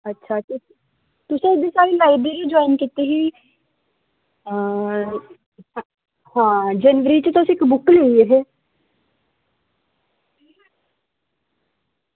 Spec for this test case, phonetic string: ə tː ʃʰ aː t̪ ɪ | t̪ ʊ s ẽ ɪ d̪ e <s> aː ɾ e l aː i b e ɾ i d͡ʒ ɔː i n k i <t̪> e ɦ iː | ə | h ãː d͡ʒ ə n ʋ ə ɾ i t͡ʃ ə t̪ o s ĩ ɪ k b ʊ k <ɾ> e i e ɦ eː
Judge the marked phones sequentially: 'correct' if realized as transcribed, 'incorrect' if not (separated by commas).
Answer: correct, correct, incorrect